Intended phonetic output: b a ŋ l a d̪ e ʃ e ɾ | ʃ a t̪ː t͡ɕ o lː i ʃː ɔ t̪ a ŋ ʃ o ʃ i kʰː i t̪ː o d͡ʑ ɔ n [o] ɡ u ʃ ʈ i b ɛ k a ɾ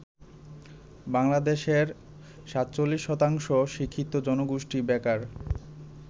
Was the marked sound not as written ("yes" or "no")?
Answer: no